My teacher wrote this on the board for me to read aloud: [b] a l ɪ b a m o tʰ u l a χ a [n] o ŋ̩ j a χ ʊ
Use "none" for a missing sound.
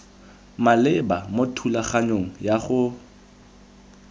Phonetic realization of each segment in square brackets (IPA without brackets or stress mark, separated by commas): m, ɲ